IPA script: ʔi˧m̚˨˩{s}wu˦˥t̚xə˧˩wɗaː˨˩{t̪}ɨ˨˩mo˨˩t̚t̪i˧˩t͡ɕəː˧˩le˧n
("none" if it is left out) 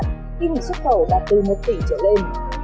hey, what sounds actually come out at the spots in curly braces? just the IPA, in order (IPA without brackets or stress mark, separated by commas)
s, t̪